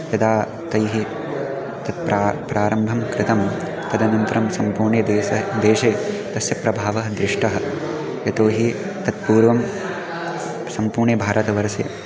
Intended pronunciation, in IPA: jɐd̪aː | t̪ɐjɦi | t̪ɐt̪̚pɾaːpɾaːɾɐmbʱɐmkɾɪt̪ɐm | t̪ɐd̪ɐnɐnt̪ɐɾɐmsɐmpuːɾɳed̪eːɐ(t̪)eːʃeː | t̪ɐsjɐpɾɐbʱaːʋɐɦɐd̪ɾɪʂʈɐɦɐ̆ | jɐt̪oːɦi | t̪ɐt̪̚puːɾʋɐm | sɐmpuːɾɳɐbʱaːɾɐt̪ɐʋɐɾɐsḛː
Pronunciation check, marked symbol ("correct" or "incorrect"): incorrect